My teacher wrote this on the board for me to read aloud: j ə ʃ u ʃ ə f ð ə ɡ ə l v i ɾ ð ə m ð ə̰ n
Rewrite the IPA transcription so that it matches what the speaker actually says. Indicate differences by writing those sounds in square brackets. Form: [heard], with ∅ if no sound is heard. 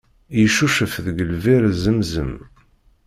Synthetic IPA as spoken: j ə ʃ u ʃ ə f ð ə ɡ ə l v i ɾ [z] ə m [z] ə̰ [m]